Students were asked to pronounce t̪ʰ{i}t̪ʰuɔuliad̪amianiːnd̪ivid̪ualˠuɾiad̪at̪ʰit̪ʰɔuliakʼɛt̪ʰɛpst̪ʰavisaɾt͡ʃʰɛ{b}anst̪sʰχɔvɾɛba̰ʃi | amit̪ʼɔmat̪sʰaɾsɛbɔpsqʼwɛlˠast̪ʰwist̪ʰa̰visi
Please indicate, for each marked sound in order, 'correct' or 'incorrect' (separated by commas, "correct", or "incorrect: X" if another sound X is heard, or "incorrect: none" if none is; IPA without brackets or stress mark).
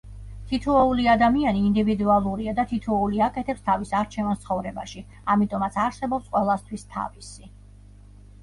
correct, incorrect: v